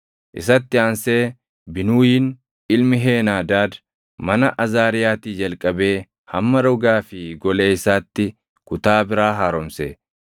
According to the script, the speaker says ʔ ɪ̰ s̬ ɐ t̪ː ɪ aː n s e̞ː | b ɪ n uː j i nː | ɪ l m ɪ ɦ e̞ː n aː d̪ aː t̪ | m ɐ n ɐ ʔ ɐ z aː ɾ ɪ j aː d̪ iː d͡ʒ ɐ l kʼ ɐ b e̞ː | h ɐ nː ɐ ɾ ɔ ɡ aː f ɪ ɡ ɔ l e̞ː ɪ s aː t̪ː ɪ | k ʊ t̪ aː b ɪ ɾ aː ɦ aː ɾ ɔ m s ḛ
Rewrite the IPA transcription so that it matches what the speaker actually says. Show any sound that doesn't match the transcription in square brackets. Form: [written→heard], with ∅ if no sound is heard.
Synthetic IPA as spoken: ʔ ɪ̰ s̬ ɐ t̪ː ɪ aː n s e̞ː | b ɪ n uː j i [nː→n] | ɪ l m ɪ ɦ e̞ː n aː d̪ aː [t̪→d̪] | m ɐ n ɐ ʔ ɐ z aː ɾ ɪ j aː [d̪→t̪] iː d͡ʒ ɐ l kʼ ɐ b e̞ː | h ɐ [nː→mː] ɐ ɾ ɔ ɡ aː f ɪ ɡ ɔ l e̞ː ɪ s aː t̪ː ɪ | k ʊ t̪ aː b ɪ ɾ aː ɦ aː ɾ ɔ m s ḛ

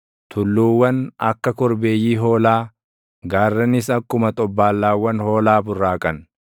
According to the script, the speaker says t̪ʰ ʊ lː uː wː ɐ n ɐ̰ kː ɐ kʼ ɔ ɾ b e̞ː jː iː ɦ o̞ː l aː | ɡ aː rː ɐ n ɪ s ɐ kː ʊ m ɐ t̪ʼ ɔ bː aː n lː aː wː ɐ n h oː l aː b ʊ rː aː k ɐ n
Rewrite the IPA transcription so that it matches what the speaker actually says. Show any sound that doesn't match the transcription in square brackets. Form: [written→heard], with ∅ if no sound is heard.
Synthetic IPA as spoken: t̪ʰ ʊ lː uː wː ɐ n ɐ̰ kː ɐ [kʼ→k] ɔ ɾ b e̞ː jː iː ɦ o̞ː l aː | ɡ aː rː ɐ n ɪ s ɐ kː ʊ m ɐ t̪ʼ ɔ bː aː [n→∅] lː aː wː ɐ n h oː l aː b ʊ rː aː [k→kʼ] ɐ n

